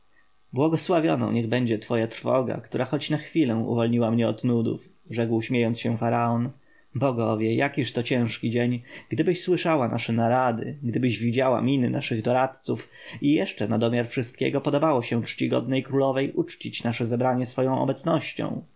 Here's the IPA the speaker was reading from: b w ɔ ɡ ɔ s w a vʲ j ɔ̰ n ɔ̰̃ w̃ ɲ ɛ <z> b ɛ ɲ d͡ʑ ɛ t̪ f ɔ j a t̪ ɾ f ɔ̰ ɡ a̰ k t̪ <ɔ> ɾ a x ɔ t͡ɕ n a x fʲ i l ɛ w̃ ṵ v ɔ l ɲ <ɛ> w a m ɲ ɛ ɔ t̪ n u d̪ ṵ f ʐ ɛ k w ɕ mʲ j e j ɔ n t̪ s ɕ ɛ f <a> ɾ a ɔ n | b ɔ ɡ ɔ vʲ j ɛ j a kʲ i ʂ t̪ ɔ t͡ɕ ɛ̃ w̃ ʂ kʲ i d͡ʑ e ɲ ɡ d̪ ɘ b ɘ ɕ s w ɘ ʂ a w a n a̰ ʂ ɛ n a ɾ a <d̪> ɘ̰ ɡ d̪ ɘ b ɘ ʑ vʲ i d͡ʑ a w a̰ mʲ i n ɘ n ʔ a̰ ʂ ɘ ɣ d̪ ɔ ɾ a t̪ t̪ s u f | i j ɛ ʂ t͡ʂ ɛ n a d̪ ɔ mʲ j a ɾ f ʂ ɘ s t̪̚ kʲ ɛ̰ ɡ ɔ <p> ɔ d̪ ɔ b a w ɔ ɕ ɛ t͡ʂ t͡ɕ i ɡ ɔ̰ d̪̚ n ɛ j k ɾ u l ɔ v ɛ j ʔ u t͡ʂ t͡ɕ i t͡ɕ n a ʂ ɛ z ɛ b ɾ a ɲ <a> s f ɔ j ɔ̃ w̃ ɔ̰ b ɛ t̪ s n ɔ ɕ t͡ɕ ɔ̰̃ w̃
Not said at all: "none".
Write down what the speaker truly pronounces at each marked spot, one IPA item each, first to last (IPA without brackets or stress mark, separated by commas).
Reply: ɣ, u, i, a, d̪, p, ɛ